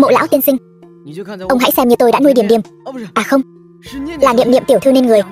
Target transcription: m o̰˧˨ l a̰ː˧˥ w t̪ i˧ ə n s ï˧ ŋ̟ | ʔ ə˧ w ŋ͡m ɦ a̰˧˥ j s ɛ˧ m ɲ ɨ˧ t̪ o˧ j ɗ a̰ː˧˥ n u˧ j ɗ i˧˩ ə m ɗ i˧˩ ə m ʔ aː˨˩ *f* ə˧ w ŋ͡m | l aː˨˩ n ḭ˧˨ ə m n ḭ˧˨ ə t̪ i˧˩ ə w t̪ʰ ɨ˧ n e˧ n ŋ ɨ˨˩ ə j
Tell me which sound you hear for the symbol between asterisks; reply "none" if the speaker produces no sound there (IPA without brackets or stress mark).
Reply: x